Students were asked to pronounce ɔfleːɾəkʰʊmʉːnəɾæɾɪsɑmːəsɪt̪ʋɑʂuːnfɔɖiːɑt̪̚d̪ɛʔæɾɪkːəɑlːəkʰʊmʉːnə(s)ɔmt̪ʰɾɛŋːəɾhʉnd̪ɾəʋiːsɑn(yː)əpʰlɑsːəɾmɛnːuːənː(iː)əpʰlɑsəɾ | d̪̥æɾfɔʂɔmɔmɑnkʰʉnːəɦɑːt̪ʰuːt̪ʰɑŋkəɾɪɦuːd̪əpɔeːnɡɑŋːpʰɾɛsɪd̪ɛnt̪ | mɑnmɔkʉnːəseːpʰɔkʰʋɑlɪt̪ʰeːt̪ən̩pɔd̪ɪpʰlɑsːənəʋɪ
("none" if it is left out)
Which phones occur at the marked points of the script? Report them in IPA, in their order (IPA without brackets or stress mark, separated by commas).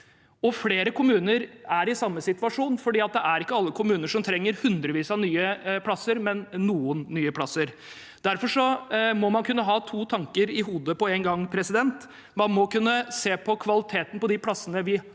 ʂ, yː, yː